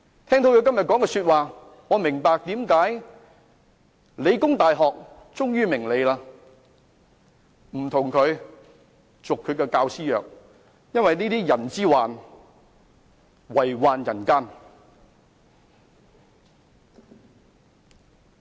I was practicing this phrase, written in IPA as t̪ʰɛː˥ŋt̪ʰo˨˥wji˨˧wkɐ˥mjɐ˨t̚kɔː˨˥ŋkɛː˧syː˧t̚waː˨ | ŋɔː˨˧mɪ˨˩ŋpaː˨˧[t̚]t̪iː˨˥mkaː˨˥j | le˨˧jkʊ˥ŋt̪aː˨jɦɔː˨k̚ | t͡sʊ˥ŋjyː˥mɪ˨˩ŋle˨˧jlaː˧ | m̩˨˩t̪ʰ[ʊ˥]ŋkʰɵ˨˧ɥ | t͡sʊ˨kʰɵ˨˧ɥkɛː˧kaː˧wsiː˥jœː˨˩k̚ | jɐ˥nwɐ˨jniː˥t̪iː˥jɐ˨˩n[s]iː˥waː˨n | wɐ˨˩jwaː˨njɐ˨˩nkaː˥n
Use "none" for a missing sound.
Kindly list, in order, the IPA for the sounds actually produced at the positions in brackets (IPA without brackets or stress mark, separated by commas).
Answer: k̚, ʊ˨˩, t͡s